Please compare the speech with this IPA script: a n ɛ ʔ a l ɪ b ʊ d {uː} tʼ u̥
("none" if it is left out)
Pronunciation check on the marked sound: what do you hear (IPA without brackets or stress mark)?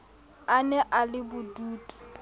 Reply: uː